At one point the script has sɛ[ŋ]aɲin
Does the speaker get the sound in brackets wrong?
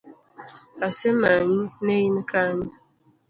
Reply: yes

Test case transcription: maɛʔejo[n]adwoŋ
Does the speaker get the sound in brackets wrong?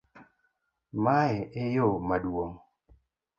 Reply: yes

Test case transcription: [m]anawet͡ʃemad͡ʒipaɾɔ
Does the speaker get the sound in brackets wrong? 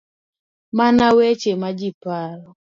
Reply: no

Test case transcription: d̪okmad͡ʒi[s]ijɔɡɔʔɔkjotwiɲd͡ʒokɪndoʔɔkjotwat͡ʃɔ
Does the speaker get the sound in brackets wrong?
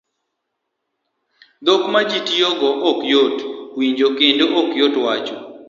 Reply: yes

